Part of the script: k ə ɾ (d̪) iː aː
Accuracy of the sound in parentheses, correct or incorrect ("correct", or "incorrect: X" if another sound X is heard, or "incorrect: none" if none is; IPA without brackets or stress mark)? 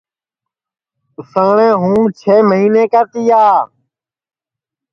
incorrect: t̪